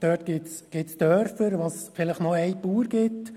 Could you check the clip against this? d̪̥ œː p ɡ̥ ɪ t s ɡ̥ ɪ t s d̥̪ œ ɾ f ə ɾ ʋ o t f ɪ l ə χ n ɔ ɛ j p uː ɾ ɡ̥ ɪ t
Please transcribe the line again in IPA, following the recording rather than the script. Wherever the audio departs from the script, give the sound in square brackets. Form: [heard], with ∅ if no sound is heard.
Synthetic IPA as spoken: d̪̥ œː [t] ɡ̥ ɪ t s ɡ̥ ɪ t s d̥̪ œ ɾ f ə ɾ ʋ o [s] f ɪ l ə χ n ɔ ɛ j p uː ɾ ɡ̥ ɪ t